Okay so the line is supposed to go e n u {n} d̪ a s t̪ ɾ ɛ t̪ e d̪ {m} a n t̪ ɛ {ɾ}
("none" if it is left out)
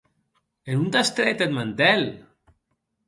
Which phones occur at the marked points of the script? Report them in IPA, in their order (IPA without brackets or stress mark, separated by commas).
n, m, l